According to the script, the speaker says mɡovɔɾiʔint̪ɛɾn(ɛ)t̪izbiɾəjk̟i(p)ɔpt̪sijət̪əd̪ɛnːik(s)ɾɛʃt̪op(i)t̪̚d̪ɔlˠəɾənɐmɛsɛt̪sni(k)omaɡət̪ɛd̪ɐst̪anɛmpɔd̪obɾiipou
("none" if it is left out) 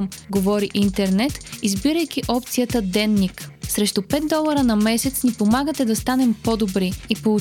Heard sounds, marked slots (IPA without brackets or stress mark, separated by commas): ɛ, ʔ, s, ɛ, p